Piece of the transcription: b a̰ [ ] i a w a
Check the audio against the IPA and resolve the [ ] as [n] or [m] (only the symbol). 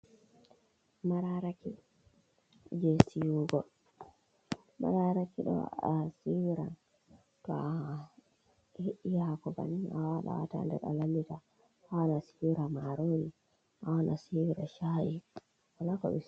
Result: n